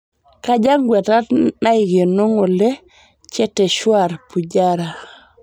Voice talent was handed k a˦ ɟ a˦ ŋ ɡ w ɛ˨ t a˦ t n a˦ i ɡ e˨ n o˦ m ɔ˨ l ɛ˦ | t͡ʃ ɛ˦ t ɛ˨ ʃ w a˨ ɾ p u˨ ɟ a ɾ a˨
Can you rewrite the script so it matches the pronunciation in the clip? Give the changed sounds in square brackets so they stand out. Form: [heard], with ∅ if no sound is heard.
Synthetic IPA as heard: k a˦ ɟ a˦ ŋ ɡ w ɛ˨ t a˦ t n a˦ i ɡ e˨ n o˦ [ŋ] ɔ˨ l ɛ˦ | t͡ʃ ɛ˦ t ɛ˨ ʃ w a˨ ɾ p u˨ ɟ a ɾ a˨